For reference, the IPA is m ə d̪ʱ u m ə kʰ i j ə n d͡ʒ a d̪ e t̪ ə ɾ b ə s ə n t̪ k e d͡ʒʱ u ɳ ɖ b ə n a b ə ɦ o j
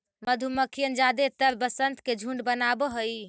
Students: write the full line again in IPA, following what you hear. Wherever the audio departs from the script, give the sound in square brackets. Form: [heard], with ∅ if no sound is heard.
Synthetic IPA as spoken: m ə d̪ʱ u m ə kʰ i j ə n d͡ʒ a d̪ e t̪ ə ɾ b ə s ə n t̪ k e d͡ʒʱ u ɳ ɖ b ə n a b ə ɦ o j